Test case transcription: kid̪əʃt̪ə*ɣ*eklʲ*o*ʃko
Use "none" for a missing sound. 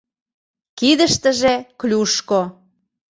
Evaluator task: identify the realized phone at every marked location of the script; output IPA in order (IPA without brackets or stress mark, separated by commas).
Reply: ʒ, u